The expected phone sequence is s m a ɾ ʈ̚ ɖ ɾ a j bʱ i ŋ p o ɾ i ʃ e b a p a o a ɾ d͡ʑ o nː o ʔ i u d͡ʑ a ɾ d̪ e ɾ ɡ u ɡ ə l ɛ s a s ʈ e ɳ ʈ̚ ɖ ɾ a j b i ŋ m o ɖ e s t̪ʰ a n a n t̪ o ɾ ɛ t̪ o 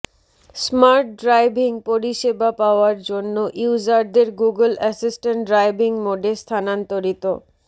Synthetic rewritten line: s m a ɾ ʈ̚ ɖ ɾ a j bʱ i ŋ p o ɾ i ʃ e b a p a o a ɾ d͡ʑ o nː o ʔ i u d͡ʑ a ɾ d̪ e ɾ ɡ u ɡ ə l ɛ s i s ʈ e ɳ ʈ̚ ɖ ɾ a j b i ŋ m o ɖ e s t̪ʰ a n a n t̪ o ɾ i t̪ o